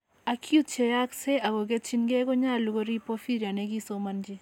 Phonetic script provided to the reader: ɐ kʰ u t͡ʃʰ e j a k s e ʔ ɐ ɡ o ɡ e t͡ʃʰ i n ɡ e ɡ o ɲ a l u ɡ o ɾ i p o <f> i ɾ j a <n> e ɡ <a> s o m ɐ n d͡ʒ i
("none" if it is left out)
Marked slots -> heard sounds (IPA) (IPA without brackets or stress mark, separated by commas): f, n, i